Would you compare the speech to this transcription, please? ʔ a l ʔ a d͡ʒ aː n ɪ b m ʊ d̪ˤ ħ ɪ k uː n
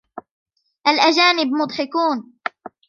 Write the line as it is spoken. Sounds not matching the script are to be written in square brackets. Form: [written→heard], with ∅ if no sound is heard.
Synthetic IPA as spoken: ʔ a l ʔ a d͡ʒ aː n ɪ b m ʊ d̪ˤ ħ ɪ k uː n